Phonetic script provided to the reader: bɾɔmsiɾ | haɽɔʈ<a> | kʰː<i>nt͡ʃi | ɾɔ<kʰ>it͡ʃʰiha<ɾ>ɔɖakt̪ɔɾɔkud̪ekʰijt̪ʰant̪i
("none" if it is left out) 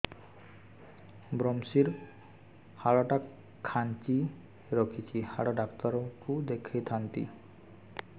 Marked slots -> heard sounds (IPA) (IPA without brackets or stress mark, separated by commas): a, a, kʰ, ɽ